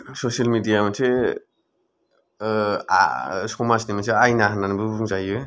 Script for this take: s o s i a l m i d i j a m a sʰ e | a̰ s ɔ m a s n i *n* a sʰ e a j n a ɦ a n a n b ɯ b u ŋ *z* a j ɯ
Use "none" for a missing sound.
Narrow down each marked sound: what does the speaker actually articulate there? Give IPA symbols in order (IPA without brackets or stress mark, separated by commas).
m, z